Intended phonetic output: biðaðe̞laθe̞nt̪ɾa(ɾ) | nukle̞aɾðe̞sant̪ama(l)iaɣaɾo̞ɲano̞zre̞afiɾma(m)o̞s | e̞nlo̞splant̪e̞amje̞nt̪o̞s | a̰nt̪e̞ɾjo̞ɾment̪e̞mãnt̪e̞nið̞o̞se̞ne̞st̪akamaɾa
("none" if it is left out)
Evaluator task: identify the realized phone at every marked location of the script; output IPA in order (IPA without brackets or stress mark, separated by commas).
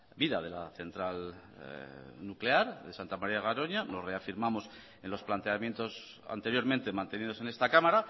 l, ɾ, m